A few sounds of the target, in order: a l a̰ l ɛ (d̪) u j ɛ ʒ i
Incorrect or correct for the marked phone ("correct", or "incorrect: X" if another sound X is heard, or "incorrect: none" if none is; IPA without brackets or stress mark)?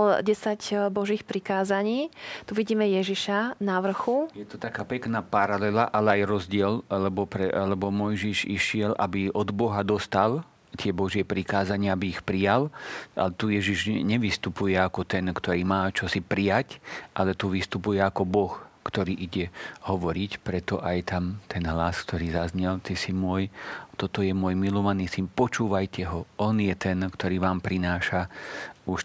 incorrect: t̪